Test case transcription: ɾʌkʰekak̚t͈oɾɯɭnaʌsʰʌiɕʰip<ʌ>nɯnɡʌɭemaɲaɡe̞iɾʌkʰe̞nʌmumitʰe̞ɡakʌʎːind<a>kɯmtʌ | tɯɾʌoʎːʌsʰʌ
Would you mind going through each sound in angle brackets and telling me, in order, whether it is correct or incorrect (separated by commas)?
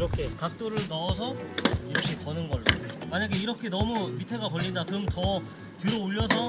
correct, correct